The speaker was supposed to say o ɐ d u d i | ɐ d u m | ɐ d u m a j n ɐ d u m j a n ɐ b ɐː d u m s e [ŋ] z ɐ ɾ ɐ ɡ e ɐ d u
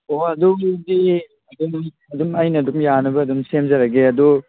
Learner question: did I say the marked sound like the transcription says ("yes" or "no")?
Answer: no